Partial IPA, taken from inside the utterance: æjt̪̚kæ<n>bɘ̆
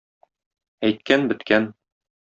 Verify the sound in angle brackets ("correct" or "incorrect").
correct